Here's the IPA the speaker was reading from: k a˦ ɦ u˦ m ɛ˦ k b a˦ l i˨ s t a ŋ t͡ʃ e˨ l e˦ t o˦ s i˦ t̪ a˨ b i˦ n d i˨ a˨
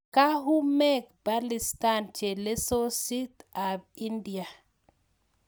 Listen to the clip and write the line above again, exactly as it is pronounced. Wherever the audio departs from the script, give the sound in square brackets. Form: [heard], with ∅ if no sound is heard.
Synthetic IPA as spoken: k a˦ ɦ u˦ m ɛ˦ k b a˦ l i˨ s t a [n] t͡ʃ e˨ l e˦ [s] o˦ s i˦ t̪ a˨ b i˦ n d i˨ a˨